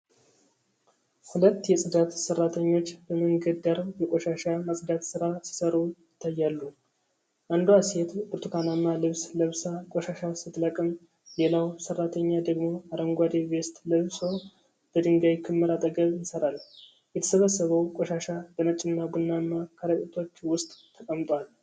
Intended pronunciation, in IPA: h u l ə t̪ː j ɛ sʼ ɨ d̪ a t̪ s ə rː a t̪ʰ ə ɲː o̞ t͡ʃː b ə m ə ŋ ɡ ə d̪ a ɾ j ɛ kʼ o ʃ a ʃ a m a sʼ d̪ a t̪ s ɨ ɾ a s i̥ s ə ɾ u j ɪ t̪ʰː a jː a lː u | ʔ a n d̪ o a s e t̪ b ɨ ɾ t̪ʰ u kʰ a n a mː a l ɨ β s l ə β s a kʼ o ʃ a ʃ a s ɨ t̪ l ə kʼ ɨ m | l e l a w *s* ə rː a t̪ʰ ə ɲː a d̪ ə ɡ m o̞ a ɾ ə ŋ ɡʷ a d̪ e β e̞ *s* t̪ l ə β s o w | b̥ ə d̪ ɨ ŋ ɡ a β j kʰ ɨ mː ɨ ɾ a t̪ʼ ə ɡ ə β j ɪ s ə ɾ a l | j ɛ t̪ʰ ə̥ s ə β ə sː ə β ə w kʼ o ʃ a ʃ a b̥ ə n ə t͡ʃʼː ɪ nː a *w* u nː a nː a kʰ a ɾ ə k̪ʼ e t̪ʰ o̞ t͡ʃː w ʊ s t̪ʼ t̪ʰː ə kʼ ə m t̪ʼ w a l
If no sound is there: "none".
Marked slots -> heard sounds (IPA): s, s, b

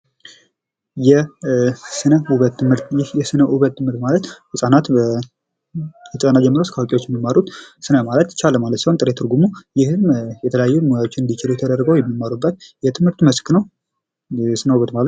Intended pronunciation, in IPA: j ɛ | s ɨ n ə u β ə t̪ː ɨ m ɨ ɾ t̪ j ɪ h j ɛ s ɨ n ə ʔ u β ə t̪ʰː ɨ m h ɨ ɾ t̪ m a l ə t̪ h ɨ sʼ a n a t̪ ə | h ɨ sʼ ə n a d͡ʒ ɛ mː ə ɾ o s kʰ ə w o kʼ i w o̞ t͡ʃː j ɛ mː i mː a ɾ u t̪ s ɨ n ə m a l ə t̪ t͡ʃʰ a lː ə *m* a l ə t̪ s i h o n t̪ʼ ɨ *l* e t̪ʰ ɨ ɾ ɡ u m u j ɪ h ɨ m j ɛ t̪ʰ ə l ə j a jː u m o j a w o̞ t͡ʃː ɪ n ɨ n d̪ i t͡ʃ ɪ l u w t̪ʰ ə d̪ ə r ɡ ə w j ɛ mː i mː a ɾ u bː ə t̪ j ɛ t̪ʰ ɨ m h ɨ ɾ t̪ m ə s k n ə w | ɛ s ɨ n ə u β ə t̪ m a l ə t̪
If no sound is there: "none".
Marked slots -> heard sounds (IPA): m, ɾ

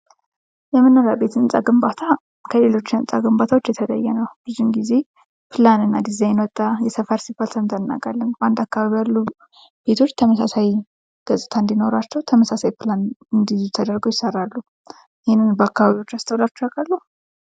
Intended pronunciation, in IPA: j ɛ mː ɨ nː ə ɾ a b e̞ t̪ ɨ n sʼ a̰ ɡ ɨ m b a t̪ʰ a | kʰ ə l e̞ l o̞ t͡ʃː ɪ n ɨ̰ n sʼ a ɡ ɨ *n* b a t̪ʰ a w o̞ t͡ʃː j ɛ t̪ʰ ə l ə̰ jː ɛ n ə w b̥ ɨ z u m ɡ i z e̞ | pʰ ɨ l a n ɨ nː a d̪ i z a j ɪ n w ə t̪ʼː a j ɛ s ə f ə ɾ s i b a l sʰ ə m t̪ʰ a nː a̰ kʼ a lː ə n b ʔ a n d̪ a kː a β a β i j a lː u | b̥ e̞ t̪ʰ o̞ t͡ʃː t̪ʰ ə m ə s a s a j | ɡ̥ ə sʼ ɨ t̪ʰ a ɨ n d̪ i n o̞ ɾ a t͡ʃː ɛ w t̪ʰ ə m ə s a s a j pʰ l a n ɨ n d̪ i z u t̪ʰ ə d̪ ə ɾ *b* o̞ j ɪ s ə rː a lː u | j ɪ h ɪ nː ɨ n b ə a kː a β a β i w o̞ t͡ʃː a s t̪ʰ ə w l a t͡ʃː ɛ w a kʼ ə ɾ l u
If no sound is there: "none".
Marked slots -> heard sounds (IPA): m, ɡ

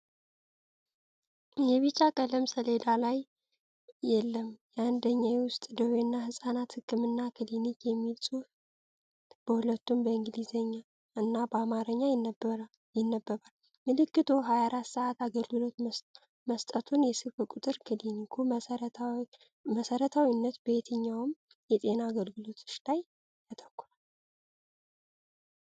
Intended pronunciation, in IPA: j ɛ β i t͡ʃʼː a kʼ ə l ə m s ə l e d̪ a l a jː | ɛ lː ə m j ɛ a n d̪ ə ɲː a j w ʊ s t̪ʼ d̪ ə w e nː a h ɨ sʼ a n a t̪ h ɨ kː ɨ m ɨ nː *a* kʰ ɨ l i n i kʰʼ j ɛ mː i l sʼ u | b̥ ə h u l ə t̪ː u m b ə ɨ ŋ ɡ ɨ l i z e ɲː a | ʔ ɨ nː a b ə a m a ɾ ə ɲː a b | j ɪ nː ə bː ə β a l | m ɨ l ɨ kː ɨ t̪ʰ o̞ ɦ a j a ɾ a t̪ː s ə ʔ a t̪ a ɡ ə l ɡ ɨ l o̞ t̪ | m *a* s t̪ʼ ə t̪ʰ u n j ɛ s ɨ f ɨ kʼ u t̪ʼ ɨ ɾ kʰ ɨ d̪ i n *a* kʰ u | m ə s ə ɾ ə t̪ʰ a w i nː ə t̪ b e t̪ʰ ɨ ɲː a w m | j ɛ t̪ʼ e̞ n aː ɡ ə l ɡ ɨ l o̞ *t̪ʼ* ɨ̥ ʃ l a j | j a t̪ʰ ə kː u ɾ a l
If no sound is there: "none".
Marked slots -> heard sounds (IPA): a, ə, i, t̪

